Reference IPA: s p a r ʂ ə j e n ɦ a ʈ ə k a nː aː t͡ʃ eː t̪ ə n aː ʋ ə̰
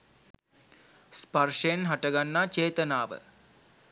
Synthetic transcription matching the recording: s p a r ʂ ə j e n ɦ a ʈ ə ɡ a nː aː t͡ʃ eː t̪ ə n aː ʋ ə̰